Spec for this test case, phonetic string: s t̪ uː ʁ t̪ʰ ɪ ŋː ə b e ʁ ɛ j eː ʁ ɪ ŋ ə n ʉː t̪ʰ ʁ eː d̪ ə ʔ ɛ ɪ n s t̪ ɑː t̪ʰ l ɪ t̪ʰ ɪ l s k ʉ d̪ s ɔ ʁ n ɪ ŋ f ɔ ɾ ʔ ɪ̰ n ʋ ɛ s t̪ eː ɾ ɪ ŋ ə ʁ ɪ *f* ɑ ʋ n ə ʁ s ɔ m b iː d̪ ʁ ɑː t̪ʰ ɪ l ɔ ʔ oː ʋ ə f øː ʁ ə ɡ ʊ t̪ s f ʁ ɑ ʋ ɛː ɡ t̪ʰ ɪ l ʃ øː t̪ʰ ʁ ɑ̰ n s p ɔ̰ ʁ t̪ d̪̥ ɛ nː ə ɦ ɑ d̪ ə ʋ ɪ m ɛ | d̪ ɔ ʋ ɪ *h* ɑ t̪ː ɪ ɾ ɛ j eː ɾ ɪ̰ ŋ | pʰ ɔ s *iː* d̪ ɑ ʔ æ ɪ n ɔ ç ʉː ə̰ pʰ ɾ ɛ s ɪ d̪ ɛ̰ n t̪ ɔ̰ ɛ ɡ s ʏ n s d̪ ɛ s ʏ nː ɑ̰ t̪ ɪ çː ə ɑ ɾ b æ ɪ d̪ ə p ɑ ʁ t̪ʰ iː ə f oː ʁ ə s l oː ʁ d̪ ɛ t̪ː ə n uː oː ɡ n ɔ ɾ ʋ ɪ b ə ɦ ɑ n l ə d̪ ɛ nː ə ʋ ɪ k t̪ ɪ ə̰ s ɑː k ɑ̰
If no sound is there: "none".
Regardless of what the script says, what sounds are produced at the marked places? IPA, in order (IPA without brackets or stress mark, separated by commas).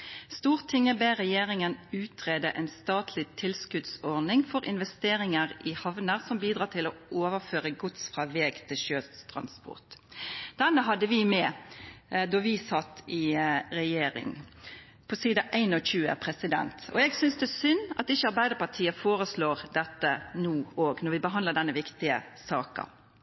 h, s, iː